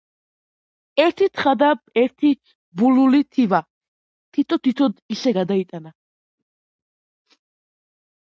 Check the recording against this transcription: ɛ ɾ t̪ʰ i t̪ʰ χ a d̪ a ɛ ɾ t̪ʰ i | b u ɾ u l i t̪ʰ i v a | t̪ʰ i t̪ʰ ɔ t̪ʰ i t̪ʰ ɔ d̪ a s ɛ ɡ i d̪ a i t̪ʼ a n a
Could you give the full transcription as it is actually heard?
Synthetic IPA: ɛ ɾ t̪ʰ i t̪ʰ χ a d̪ a ɛ ɾ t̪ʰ i | b u l u l i t̪ʰ i v a | t̪ʰ i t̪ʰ ɔ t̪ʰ i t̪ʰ ɔ d̪ i s ɛ ɡ a d̪ a i t̪ʼ a n a